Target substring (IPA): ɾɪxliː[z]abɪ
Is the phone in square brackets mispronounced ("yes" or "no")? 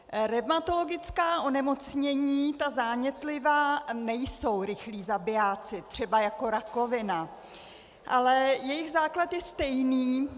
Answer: no